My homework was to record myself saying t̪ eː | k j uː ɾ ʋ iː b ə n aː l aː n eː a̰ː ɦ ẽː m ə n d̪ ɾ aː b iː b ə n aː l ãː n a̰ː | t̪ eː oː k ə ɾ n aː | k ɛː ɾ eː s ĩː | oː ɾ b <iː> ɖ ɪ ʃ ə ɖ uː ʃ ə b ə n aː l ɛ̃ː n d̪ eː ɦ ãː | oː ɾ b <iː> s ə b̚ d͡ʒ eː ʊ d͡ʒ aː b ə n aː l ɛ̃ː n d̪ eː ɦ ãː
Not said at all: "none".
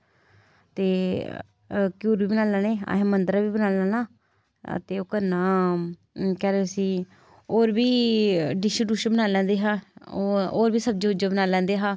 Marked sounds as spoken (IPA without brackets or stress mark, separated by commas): iː, iː